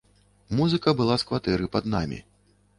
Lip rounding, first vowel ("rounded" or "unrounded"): rounded